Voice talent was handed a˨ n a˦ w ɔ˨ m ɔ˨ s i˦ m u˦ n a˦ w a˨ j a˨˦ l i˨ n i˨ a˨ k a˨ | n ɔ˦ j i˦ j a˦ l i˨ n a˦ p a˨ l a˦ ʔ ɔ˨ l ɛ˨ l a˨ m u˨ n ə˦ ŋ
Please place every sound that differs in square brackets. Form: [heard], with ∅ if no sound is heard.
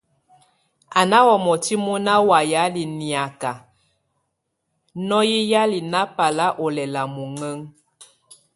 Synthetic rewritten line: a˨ n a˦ w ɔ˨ m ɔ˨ [t] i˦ m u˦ n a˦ w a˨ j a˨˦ l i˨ n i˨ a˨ k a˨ | n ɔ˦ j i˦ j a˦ l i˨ n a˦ p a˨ l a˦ ʔ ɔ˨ l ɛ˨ l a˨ m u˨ [ŋ] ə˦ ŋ